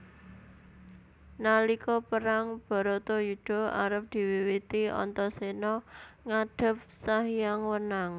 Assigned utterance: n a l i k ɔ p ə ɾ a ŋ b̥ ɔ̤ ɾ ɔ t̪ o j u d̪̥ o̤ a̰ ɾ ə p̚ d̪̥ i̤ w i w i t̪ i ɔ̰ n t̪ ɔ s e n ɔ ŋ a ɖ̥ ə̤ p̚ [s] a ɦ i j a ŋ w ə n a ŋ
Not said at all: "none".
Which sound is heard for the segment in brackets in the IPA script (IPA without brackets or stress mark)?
s